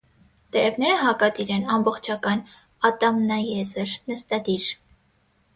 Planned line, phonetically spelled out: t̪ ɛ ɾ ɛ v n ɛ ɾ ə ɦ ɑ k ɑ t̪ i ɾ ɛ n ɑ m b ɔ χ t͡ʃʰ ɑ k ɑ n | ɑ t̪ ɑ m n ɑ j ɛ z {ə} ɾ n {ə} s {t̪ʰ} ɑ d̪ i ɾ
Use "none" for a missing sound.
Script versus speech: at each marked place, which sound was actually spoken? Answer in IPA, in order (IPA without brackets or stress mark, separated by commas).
ə, ə, t̪